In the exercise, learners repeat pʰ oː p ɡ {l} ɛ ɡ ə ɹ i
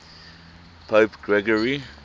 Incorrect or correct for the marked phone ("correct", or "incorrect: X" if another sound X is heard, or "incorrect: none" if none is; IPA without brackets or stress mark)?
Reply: incorrect: ɹ